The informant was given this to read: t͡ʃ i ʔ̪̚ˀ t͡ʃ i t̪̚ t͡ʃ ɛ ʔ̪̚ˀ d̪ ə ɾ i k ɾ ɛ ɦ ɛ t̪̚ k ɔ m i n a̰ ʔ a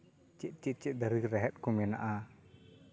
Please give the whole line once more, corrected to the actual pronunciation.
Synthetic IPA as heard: t͡ʃ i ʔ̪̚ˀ t͡ʃ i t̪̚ t͡ʃ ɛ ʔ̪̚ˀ d̪ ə ɾ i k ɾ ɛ ɦ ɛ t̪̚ k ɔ m ɛ n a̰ ʔ a

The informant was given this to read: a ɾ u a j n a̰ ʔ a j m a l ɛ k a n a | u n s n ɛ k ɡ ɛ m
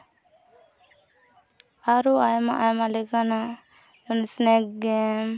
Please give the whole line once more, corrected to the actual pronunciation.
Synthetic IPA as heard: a ɾ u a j m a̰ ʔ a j m a l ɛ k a n a | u n s n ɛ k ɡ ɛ m

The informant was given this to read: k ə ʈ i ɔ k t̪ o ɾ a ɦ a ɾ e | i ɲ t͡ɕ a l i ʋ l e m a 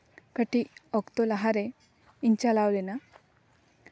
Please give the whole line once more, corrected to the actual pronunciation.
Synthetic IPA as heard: k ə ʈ i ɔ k t̪ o l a ɦ a ɾ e | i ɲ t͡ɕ a l a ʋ l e n a

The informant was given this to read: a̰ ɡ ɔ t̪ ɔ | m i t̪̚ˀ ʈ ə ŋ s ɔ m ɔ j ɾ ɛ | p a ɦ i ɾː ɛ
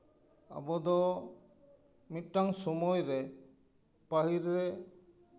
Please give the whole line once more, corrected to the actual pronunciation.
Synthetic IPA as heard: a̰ b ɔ d̪ ɔ | m i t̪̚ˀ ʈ a ŋ s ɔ m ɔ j ɾ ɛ | p a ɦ i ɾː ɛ

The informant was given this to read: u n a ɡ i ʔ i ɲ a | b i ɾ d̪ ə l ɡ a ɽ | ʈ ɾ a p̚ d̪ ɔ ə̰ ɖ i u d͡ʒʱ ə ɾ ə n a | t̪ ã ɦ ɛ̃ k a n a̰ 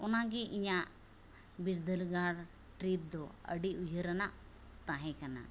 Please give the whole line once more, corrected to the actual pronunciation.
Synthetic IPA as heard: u n a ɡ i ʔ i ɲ a | b i ɾ d̪ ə l ɡ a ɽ | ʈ ɾ i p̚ d̪ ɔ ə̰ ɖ i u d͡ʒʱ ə ɾ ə n a | t̪ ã ɦ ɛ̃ k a n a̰

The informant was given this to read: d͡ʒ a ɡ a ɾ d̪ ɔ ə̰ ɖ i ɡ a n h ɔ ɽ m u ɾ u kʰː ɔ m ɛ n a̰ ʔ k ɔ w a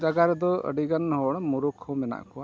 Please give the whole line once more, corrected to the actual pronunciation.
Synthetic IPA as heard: d͡ʒ a ɡ a ɾ d̪ ɔ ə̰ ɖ i ɡ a n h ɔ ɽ m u ɾ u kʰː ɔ m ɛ n a̰ ʔ k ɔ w a

